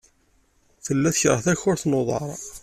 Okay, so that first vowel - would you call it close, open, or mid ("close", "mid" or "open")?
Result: mid